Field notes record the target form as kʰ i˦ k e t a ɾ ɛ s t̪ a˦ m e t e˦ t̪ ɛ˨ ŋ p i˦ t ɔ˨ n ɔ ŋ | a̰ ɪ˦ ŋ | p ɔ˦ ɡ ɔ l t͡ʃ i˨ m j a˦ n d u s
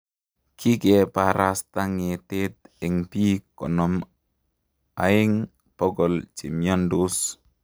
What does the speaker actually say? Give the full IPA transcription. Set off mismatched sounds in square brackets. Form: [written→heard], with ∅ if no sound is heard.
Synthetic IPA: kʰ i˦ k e [t→p] a ɾ [ɛ→a] s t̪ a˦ [m→ŋ] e t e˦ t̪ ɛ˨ ŋ p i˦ [t→k] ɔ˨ n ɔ [ŋ→m] | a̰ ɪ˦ ŋ | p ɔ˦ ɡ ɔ l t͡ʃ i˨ m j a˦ n d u s